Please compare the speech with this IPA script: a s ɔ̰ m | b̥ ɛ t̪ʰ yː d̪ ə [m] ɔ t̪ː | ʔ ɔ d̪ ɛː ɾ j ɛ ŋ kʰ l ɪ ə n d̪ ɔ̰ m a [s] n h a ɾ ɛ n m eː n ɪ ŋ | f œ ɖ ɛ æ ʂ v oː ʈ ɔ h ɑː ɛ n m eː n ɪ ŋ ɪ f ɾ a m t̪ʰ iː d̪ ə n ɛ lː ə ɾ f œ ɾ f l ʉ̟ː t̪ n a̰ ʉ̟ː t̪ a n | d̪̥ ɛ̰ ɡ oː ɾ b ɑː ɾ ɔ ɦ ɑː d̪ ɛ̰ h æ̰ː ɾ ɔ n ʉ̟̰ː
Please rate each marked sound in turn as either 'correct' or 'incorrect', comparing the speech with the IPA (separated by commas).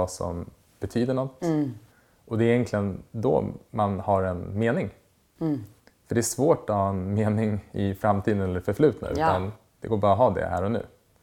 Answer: incorrect, incorrect